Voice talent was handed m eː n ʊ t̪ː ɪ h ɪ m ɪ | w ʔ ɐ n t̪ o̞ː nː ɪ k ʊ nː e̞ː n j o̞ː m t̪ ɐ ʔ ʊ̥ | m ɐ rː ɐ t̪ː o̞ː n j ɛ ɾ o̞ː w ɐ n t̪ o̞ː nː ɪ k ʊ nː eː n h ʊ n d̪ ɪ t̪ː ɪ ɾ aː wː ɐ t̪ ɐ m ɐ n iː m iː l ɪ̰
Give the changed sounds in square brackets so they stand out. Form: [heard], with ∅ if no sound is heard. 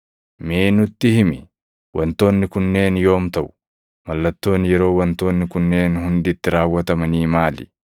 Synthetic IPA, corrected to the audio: m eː n ʊ t̪ː ɪ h ɪ m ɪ | w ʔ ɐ n t̪ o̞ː nː ɪ k ʊ nː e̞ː n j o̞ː m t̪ ɐ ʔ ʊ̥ | m ɐ [lː] ɐ t̪ː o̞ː n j ɛ ɾ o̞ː w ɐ n t̪ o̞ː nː ɪ k ʊ nː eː n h ʊ n d̪ ɪ t̪ː ɪ ɾ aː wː ɐ t̪ ɐ m ɐ n iː m [aː] l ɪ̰